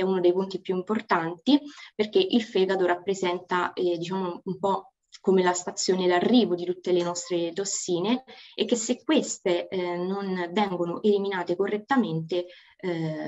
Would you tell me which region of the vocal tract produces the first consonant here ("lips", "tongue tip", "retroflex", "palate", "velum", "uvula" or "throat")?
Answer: tongue tip